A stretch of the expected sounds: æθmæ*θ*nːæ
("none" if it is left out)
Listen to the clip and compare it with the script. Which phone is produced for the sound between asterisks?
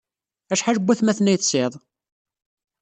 θ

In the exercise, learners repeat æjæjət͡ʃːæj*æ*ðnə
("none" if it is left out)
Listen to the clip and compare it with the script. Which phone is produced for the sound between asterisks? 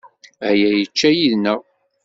i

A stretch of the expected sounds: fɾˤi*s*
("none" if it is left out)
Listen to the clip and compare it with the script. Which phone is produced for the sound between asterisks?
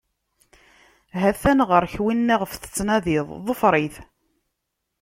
θ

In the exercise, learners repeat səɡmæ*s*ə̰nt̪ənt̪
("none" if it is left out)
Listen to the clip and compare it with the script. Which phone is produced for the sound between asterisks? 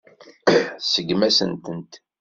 s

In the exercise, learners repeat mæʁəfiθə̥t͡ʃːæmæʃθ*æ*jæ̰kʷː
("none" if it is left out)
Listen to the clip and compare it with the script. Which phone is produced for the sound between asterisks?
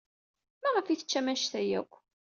æ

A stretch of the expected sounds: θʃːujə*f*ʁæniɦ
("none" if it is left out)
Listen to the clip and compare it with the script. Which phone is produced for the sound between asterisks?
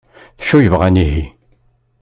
v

